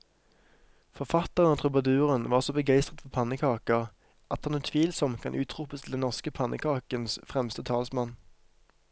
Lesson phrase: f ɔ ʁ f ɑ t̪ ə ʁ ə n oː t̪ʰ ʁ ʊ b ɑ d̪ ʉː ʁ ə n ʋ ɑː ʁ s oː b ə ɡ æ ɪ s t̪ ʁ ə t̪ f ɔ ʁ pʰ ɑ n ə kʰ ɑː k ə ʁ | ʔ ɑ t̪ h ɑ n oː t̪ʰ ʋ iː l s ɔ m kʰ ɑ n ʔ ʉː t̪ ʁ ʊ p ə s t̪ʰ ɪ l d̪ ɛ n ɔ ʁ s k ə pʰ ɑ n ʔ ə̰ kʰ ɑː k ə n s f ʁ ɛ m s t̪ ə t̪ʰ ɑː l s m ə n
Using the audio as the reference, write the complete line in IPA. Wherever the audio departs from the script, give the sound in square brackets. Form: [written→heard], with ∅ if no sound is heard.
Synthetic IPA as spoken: f ɔ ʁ f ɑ t̪ ə ʁ ə n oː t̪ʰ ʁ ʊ b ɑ d̪ ʉː ʁ ə n ʋ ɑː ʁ s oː b ə ɡ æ ɪ s t̪ ʁ ə t̪ f ɔ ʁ pʰ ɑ n ə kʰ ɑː k ə ʁ | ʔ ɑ t̪ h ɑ n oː t̪ʰ ʋ iː l s ɔ m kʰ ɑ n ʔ ʉː t̪ ʁ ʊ p ə s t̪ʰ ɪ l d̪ ɛ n ɔ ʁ s k ə pʰ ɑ n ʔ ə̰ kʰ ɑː k ə n s f ʁ ɛ m s t̪ ə t̪ʰ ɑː l s m [ə→ɑ] n

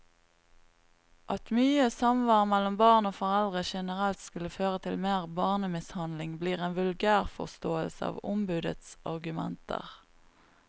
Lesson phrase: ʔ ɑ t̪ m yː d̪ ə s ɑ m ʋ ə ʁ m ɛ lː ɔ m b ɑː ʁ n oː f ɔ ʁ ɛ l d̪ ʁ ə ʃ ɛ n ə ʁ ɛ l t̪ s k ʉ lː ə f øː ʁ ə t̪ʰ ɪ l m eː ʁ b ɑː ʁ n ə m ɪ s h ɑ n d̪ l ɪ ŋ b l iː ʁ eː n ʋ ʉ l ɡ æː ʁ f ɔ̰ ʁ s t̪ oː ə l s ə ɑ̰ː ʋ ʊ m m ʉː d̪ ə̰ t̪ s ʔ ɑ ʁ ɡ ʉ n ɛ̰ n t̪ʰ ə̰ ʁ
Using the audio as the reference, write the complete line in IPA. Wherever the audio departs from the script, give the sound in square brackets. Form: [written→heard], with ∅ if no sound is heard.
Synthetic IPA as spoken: ʔ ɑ t̪ m yː [d̪→∅] ə s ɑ m ʋ [ə→ɑ] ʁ m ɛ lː ɔ m b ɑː ʁ n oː f ɔ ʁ ɛ l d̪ ʁ ə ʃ ɛ n ə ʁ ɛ l t̪ s k ʉ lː ə f øː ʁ ə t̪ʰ ɪ l m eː ʁ b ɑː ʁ n ə m ɪ s h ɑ n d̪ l ɪ ŋ b l iː ʁ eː n ʋ ʉ l ɡ æː ʁ f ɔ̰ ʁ s t̪ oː ə l s ə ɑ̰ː ʋ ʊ m [m→b] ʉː d̪ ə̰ t̪ s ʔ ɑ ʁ ɡ ʉ [n→m] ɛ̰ n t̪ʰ ə̰ ʁ

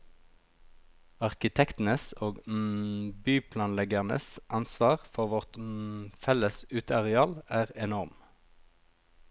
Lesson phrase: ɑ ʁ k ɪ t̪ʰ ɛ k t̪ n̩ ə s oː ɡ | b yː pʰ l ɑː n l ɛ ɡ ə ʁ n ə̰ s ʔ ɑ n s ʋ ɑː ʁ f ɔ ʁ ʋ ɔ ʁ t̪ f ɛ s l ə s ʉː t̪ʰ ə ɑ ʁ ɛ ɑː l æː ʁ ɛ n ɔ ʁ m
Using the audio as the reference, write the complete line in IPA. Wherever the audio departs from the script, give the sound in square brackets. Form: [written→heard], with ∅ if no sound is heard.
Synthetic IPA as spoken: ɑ ʁ k ɪ t̪ʰ ɛ k t̪ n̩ ə s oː ɡ | b yː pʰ l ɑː n l ɛ ɡ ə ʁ n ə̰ s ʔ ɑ n s ʋ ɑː ʁ f ɔ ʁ ʋ ɔ ʁ t̪ f ɛ [s→∅] l ə s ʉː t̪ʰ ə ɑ ʁ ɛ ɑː l æː ʁ ɛ n ɔ ʁ m

